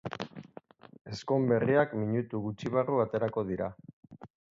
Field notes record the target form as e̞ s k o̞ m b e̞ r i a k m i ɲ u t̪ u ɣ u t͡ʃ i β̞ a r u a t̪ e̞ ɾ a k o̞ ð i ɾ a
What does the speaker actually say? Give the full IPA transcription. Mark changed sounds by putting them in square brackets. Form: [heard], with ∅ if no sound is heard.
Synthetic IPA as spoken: e̞ s k o̞ m b e̞ r i a k m i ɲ u t̪ u ɣ u t͡ʃ i β̞ a r u a t̪ e̞ ɾ a k o̞ ð i ɾ a